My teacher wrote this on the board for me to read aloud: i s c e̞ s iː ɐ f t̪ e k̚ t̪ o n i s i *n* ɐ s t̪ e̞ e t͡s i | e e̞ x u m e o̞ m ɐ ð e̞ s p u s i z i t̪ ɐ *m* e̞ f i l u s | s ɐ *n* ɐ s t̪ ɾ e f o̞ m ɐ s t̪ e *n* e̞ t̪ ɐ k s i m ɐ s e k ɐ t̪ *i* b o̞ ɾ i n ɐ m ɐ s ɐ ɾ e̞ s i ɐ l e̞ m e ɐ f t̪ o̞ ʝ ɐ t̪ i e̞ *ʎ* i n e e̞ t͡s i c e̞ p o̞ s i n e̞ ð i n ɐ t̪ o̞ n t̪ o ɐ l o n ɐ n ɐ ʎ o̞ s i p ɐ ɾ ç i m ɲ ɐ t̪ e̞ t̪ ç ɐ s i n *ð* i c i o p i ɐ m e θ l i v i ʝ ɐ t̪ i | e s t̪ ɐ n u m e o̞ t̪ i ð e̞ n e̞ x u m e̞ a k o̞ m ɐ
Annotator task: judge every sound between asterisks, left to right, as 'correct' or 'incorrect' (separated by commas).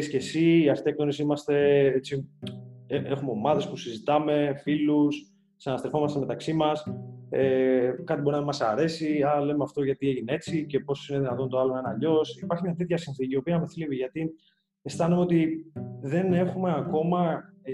incorrect, correct, correct, incorrect, correct, incorrect, incorrect